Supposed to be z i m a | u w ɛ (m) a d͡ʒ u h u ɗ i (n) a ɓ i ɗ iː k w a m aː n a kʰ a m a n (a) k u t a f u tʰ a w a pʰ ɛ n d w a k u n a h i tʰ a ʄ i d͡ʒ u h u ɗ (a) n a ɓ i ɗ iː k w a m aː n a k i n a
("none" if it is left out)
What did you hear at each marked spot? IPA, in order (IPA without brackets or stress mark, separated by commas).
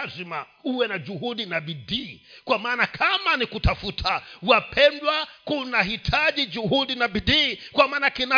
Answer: n, n, i, i